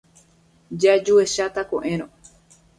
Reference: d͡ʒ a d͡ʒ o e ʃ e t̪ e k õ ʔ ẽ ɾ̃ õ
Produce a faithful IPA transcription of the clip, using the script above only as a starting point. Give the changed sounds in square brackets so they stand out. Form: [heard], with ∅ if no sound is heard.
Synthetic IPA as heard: d͡ʒ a d͡ʒ [u] e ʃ [a] t̪ [a] k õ ʔ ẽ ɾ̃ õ